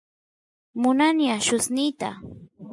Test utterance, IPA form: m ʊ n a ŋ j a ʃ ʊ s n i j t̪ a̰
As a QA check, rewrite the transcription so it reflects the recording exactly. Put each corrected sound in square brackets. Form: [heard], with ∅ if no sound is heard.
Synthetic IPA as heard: m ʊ n a [n] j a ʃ ʊ s n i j t̪ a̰